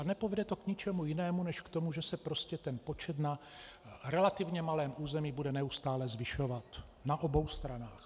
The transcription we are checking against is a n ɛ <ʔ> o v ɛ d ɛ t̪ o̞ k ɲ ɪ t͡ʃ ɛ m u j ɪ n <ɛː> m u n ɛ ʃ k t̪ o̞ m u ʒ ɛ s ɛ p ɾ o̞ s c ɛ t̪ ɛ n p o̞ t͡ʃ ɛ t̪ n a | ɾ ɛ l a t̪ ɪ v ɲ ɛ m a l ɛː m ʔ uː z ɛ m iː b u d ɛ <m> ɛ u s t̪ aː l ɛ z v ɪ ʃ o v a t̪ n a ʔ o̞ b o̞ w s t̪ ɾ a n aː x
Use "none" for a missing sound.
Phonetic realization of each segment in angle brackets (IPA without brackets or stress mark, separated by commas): p, ɛː, n